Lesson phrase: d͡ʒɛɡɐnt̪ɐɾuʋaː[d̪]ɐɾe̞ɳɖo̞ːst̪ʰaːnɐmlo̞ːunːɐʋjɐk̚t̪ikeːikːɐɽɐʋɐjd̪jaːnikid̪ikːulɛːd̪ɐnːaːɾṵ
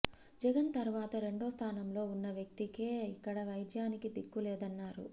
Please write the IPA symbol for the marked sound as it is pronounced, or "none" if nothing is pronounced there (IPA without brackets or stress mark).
t̪